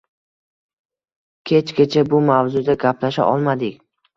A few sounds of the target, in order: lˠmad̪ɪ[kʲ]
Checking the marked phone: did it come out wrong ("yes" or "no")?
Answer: no